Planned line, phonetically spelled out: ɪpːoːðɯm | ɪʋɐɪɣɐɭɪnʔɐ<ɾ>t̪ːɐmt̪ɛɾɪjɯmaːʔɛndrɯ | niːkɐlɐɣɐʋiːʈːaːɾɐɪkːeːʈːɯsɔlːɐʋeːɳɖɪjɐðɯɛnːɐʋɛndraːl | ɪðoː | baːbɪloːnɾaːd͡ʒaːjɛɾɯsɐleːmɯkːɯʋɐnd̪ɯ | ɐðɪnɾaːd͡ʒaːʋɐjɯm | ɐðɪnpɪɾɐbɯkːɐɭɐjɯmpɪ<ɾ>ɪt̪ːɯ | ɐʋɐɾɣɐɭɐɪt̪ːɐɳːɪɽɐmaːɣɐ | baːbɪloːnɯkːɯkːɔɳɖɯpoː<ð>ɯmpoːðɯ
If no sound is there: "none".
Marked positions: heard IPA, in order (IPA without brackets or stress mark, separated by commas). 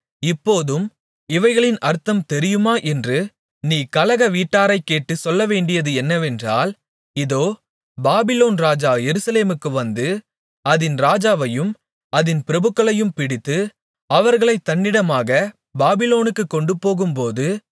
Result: ɾ, ɽ, ɣ